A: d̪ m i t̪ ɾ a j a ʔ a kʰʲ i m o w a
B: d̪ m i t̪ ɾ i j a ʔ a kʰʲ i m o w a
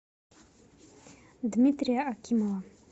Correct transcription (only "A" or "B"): B